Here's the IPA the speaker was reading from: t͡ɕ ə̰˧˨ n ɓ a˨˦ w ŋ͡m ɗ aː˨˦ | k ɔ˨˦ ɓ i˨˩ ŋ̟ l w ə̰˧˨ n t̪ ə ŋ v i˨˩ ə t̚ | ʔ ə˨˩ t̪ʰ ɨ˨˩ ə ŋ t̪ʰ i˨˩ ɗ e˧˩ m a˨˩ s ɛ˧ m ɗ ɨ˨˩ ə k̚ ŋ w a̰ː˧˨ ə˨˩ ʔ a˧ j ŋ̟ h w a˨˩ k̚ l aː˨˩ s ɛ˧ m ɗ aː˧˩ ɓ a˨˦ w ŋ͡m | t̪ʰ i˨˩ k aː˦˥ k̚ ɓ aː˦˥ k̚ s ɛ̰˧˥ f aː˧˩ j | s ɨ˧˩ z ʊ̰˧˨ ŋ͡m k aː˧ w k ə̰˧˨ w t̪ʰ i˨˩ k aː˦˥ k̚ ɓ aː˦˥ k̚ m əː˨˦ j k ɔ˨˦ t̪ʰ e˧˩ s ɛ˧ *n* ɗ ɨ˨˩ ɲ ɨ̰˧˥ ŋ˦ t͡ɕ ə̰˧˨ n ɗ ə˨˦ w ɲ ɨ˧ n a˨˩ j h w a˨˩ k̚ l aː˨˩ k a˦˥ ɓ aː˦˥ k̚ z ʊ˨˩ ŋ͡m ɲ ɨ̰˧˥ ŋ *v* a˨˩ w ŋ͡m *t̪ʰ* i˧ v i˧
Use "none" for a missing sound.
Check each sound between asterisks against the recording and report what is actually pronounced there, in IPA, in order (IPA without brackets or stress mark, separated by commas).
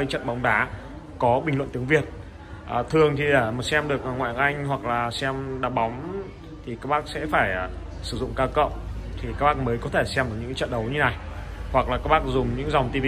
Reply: m, z, t̪